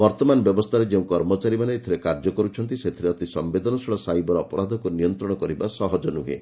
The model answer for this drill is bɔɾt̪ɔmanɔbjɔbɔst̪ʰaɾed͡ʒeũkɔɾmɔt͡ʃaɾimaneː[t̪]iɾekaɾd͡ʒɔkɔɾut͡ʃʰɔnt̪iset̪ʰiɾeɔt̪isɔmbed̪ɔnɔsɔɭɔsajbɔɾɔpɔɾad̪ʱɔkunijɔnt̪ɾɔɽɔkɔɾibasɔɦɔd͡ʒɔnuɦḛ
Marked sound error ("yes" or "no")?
yes